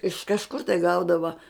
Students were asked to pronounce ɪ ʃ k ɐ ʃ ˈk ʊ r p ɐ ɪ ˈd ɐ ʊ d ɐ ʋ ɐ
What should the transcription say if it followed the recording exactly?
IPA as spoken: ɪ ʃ k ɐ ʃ ˈk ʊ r t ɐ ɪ ˈɡ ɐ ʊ d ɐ ʋ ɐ